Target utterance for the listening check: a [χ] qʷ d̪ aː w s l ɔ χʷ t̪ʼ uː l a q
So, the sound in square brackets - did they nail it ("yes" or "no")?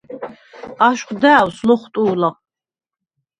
no